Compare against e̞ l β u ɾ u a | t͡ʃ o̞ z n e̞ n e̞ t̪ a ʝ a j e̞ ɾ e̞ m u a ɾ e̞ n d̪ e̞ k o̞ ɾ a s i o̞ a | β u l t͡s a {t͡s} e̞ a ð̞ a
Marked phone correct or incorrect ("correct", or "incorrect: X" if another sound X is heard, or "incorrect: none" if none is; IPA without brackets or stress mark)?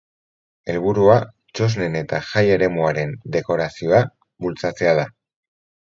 correct